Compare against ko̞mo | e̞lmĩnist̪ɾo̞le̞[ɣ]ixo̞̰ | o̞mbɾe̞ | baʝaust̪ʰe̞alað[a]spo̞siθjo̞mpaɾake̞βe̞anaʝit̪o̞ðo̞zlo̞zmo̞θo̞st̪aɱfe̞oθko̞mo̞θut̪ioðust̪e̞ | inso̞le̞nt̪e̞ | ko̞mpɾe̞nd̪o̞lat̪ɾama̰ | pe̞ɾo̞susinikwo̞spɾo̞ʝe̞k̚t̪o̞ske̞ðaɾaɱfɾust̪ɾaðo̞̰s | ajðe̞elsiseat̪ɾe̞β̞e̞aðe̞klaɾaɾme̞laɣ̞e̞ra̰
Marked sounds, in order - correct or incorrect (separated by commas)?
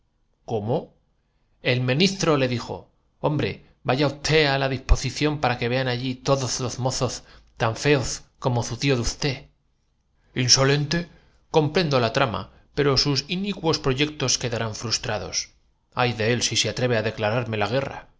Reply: incorrect, incorrect